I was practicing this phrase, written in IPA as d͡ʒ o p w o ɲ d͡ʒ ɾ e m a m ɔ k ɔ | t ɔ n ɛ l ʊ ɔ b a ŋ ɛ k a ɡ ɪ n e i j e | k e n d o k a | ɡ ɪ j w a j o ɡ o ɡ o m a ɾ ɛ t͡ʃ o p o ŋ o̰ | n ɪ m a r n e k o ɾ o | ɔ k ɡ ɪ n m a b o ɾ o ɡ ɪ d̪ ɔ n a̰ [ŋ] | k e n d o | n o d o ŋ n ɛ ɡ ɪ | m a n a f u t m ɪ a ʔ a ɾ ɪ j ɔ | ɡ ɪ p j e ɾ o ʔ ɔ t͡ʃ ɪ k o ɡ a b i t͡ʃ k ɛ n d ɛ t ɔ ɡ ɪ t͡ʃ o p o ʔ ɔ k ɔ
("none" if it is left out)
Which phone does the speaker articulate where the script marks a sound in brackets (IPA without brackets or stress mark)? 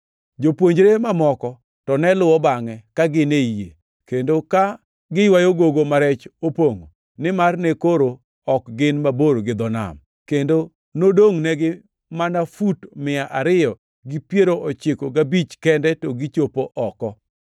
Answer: m